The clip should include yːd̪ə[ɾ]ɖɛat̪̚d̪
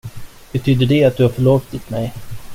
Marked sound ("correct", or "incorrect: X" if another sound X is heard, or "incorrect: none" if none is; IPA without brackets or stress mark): incorrect: none